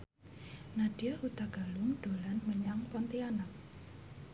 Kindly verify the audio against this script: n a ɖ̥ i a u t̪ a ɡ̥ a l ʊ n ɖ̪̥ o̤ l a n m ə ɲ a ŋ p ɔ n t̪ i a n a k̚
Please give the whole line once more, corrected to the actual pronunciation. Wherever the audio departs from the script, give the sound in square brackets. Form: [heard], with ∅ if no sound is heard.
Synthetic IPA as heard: n a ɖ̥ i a u t̪ a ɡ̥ a l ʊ [ŋ] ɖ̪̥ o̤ l a n m ə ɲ a ŋ p ɔ n t̪ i a n a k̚